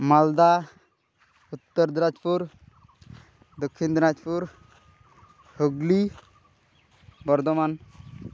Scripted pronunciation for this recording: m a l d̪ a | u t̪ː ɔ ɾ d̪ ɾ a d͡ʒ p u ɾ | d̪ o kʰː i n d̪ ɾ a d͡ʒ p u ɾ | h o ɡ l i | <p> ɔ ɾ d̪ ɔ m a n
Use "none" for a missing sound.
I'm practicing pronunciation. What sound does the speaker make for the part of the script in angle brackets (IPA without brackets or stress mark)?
b